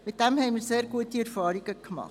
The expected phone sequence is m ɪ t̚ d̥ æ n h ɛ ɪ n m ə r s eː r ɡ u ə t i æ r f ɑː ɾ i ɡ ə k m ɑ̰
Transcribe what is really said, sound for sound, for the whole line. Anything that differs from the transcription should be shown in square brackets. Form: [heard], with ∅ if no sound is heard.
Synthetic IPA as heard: m ɪ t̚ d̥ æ [m] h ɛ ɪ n m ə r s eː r ɡ u ə t i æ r f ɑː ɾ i ɡ ə k m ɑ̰